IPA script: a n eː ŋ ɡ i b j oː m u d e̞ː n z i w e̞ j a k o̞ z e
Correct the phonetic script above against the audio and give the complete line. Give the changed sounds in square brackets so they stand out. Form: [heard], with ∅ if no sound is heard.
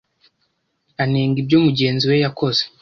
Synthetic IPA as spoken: a n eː ŋ ɡ i b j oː m u [ɟ] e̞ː n z i w e̞ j a k o̞ z e